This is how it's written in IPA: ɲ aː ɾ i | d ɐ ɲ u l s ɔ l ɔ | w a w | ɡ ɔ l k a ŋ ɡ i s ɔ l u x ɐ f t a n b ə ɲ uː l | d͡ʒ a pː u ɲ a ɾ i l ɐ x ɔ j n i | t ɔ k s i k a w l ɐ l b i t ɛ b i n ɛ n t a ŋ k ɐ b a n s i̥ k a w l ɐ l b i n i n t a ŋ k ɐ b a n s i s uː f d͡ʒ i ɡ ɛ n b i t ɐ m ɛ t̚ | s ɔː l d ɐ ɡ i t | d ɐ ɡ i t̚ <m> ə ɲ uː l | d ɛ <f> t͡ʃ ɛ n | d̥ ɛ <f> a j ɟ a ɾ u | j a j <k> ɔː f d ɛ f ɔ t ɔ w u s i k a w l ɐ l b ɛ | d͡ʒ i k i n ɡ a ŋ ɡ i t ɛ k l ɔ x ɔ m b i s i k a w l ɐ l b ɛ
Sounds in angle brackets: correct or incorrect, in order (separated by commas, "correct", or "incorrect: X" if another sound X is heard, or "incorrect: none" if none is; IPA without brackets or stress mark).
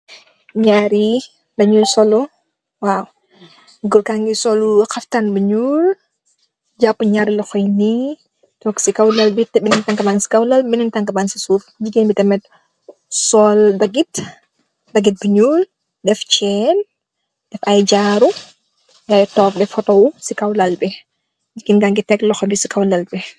incorrect: b, correct, correct, incorrect: t